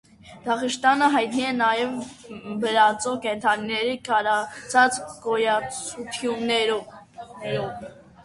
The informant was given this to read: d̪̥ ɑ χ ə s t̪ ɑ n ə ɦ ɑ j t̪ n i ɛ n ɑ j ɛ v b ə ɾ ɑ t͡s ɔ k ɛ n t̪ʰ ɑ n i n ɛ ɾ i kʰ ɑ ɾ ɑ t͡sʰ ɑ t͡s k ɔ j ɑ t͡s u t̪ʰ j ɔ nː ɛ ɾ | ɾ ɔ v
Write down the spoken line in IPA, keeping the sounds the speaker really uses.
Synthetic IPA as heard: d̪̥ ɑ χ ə ʃ t̪ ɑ n ə ɦ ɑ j t̪ n i ɛ n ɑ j ɛ v b ə ɾ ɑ t͡s ɔ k ɛ n t̪ʰ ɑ n i n ɛ ɾ i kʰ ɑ ɾ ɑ t͡sʰ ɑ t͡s k ɔ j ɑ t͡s u t̪ʰ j u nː ɛ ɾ | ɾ ɔ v